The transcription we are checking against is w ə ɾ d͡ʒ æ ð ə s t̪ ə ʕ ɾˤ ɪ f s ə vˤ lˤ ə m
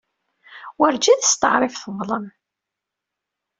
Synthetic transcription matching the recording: w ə ɾ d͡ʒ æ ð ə s t̪ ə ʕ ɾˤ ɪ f θ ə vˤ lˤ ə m